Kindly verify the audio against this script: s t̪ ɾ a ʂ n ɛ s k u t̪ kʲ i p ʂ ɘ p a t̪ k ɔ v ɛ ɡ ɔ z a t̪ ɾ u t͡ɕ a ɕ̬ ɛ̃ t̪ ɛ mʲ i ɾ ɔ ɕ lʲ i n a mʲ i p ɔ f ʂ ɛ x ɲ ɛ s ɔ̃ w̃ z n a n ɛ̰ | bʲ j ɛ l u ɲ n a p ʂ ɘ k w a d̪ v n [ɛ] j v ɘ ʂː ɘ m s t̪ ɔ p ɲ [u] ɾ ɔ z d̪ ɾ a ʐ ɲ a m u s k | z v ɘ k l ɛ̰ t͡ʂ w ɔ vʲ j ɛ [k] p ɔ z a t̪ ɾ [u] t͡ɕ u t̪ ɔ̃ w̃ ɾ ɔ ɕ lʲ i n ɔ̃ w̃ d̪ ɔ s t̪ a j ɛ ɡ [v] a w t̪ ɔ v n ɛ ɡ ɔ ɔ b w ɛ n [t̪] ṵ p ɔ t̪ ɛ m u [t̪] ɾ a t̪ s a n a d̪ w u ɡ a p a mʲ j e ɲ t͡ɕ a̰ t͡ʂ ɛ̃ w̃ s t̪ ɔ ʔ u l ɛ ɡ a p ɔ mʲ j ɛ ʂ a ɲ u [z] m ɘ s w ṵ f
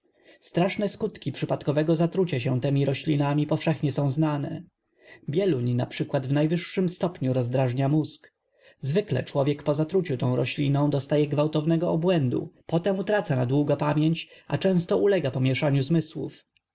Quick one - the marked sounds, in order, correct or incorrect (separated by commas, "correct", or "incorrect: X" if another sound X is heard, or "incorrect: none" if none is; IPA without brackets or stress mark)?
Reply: incorrect: a, correct, correct, correct, correct, incorrect: d̪, correct, correct